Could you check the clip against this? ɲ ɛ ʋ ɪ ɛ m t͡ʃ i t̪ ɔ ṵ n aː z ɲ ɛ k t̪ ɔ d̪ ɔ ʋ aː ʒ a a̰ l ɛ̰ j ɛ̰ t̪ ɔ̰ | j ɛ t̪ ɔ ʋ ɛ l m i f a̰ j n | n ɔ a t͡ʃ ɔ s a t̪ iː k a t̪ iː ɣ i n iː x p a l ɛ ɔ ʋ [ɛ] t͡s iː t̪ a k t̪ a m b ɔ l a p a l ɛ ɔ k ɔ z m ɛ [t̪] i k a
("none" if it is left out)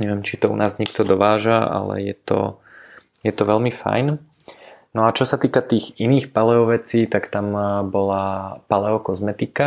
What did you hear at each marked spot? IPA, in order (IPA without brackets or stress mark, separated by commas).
ɛ, t̪